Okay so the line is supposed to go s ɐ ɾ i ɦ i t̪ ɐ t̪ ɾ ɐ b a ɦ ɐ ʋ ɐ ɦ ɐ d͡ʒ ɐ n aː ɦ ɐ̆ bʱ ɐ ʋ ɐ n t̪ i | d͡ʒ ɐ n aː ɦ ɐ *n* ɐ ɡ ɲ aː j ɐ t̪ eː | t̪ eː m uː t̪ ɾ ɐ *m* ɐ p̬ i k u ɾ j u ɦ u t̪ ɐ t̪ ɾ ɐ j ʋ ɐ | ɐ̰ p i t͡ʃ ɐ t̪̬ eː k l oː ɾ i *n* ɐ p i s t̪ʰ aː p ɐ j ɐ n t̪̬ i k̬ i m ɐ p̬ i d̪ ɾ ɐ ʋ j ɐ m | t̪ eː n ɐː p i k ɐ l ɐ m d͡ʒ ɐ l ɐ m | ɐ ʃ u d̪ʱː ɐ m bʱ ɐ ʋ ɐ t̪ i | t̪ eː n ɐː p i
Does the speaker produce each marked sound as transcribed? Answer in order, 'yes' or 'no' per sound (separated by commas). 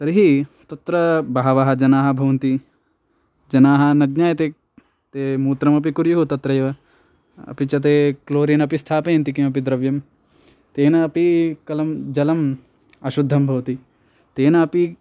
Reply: yes, yes, yes